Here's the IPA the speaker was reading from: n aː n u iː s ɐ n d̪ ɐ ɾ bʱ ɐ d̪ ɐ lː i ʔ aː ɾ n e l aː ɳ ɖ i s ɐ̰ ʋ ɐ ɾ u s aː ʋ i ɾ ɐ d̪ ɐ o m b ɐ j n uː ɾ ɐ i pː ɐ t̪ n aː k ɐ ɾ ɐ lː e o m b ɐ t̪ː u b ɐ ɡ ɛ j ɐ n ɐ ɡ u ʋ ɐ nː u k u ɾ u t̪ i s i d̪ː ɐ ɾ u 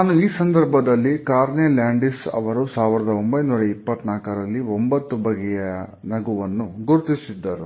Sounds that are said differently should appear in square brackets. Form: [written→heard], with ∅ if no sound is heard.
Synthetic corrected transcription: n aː n u iː s ɐ n d̪ ɐ ɾ bʱ ɐ d̪ ɐ lː i [ʔ→k] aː ɾ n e l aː ɳ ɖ i s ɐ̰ ʋ ɐ ɾ u s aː ʋ i ɾ ɐ d̪ ɐ o m b ɐ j n uː ɾ ɐ i pː ɐ t̪ n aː k ɐ ɾ ɐ lː [e→i] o m b ɐ t̪ː u b ɐ ɡ ɛ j ɐ n ɐ ɡ u ʋ ɐ nː u [k→ɡ] u ɾ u t̪ i s i d̪ː ɐ ɾ u